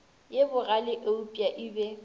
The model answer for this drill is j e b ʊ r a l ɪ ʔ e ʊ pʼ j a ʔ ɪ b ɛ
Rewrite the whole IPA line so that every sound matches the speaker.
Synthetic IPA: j e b ʊ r a l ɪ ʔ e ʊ pʼ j a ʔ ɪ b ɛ

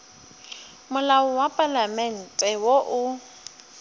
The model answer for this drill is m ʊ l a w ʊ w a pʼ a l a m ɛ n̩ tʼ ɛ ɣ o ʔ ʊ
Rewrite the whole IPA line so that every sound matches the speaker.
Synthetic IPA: m ʊ l a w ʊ w a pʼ a l a m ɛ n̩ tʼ ɛ w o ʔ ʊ

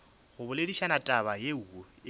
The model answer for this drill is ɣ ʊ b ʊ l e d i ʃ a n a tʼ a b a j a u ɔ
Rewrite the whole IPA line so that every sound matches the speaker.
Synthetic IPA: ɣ ʊ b ʊ l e d i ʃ a n a tʼ a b a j e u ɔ

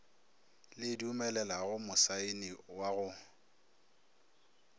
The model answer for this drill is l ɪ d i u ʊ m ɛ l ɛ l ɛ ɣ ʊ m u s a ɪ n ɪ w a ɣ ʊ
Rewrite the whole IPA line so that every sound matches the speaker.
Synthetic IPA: l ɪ d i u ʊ m ɛ l ɛ l a ɣ ʊ m ʊ s a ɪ n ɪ w a ɣ ʊ

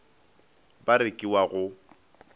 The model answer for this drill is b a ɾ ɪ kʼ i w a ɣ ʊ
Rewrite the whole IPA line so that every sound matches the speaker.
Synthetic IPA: b a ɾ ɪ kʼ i w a ɣ ʊ

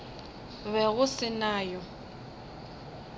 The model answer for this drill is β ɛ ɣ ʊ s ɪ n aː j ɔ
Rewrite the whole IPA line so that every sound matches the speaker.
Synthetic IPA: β ɛ ɣ ʊ s ɪ n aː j ɔ

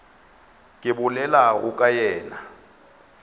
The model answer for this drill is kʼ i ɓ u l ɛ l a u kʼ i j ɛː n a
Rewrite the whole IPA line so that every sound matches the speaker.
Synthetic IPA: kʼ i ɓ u l ɛ l a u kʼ a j ɛː n a

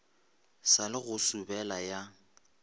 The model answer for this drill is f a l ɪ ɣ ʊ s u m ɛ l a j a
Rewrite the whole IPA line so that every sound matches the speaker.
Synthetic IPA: s a l ɪ ɣ ʊ s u b ɛ l a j a

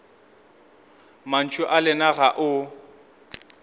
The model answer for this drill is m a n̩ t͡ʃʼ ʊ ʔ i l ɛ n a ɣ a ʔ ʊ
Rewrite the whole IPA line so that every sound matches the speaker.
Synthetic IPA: m a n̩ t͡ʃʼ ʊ ʔ a l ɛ n a ɣ a ʔ ʊ

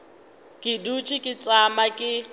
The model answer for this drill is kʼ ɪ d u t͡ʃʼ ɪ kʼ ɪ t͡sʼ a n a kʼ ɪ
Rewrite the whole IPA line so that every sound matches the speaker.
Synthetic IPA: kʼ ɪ d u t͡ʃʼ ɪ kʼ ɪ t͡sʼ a m a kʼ ɪ

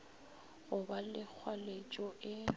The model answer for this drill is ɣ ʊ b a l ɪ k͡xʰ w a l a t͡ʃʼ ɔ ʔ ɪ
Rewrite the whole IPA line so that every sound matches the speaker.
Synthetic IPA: ɣ ʊ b a l ɪ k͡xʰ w a l e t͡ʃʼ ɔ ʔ ɪ

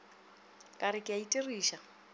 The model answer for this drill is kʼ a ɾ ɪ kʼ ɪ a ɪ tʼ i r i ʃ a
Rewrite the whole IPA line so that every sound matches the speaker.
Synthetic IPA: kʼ a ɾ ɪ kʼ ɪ a i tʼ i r iː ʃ a

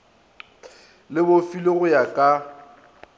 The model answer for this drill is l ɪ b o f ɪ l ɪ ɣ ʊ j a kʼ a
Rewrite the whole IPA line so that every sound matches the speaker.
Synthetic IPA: l ɪ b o f i l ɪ ɣ ʊ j a kʼ a

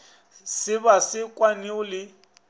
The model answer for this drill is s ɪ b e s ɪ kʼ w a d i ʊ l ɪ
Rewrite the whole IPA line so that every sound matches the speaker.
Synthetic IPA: s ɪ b a s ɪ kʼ w a n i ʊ l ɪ

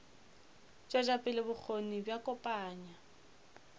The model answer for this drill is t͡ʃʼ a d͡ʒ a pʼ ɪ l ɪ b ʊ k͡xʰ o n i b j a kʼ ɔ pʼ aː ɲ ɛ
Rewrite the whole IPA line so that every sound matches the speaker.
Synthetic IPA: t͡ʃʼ a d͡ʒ a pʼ ɪ l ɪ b ʊ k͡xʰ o n i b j a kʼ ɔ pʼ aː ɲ a

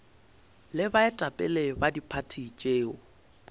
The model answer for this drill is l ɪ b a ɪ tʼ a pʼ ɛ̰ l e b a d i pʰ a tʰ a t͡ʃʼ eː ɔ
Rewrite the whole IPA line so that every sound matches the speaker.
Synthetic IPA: l ɪ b a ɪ tʼ a pʼ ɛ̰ l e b a d i pʰ a tʰ i t͡ʃʼ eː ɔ

